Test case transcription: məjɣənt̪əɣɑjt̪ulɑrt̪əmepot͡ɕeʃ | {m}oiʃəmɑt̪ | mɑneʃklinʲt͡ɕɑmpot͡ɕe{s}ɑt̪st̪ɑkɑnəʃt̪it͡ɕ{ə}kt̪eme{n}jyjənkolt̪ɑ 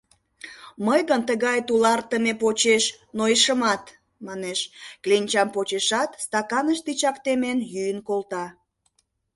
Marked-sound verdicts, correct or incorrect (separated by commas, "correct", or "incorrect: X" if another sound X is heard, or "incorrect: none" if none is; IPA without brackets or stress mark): incorrect: n, incorrect: ʃ, incorrect: ɑ, correct